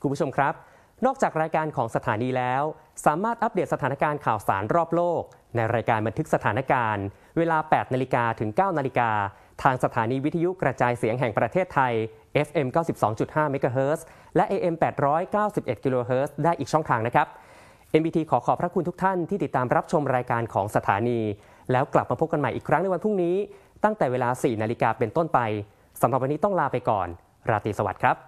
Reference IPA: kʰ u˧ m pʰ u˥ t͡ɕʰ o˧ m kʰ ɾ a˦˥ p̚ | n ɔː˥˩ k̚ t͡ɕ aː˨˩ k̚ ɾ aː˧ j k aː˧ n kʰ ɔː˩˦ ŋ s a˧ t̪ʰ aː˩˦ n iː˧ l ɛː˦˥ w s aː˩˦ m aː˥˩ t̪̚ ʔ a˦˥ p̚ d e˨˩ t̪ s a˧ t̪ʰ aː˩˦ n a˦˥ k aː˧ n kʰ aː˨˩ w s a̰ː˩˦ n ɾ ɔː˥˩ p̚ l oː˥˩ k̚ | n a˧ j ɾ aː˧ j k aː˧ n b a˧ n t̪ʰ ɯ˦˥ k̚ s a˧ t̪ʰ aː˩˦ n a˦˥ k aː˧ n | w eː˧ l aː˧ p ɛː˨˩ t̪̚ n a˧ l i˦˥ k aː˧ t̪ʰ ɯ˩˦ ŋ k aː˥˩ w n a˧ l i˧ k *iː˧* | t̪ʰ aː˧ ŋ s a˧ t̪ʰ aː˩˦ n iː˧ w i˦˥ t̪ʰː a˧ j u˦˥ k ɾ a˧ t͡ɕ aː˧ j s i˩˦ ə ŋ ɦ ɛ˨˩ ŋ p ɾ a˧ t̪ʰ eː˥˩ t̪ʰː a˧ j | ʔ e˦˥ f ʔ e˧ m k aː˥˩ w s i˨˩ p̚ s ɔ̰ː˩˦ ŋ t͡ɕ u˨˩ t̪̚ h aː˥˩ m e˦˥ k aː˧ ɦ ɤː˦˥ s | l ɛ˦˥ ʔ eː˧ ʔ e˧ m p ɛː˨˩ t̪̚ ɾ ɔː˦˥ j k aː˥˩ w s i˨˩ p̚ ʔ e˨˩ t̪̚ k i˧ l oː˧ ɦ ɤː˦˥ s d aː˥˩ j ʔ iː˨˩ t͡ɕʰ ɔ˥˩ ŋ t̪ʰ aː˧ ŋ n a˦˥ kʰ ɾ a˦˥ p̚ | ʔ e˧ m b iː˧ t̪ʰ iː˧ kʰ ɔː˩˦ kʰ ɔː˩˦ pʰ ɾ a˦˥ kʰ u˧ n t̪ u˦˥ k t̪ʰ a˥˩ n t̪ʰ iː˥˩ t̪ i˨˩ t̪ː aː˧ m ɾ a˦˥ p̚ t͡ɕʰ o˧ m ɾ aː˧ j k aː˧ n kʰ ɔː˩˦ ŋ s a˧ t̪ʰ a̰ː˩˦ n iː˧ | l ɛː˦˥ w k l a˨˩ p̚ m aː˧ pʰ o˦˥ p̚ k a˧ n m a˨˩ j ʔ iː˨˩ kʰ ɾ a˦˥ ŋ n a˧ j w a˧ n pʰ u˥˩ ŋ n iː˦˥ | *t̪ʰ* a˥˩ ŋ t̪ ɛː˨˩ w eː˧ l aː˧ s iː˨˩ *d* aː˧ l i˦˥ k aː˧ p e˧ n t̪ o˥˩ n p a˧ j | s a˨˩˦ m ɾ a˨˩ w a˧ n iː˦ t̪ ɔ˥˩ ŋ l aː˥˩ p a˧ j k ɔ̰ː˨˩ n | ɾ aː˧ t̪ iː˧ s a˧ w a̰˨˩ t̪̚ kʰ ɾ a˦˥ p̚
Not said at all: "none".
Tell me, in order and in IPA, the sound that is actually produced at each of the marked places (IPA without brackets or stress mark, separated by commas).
aː˧, t̪, n